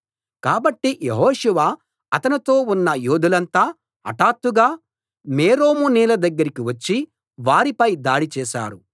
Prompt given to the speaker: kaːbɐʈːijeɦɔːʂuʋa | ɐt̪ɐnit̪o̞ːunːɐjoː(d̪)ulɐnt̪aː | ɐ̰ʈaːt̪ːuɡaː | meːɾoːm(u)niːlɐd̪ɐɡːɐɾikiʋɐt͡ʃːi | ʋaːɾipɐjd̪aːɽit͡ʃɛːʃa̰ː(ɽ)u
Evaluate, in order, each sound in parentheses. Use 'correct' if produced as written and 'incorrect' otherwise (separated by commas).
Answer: correct, correct, incorrect